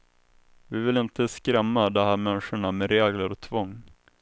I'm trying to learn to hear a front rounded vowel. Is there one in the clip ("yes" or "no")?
no